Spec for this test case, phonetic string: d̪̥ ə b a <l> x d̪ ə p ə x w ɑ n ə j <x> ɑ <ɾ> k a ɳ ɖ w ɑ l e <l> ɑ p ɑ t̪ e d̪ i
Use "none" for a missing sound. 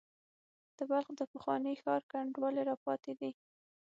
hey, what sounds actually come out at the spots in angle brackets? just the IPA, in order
l, x, ɾ, ɾ

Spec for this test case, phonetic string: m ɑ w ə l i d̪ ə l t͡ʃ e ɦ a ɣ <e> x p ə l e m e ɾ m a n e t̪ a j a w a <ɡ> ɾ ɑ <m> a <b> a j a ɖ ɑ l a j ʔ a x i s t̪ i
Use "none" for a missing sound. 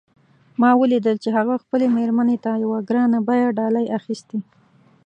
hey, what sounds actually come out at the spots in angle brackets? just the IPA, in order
a, ɡ, n, b

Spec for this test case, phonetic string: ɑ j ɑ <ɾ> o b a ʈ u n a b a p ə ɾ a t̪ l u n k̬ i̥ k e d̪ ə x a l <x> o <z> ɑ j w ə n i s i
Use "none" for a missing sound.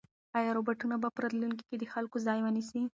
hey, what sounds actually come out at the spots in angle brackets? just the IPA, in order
ɾ, k, z

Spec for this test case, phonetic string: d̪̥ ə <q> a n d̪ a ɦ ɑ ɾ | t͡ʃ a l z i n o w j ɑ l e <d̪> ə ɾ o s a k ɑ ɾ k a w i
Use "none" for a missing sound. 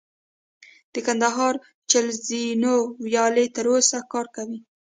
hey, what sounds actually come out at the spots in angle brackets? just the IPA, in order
k, t̪

